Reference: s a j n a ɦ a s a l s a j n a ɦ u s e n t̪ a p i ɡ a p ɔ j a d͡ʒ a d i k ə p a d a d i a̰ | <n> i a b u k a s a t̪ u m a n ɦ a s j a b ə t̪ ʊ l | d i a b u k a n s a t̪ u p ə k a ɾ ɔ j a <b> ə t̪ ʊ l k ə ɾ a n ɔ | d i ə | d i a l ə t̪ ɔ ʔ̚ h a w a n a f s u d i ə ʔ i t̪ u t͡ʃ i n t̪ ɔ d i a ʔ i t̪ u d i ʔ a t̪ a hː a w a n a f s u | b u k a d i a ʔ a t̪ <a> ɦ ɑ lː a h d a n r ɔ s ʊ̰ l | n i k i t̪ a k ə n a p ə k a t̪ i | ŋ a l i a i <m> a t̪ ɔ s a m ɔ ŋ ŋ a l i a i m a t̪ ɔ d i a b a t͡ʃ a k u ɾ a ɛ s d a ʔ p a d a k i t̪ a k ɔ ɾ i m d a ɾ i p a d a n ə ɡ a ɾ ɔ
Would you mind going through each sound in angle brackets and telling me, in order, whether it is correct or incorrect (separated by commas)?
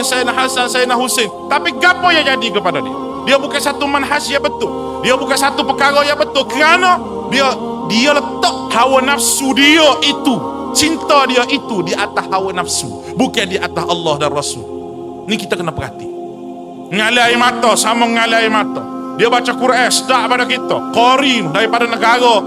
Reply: incorrect, correct, correct, correct